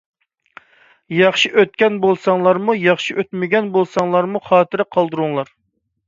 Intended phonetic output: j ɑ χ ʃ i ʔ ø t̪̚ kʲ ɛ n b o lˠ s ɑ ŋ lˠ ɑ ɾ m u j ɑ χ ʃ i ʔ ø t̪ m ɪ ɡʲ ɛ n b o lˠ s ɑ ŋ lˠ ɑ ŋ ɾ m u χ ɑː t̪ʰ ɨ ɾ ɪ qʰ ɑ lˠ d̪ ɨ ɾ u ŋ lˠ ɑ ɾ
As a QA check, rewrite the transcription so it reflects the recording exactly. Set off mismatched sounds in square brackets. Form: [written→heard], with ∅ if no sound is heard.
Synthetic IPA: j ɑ χ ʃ i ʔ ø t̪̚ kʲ ɛ n b o lˠ s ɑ ŋ lˠ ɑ ɾ m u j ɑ χ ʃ i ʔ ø t̪ m ɪ ɡʲ ɛ n b o lˠ s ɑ ŋ lˠ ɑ [ŋ→∅] ɾ m u χ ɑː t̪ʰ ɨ ɾ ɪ qʰ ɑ lˠ d̪ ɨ ɾ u ŋ lˠ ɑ ɾ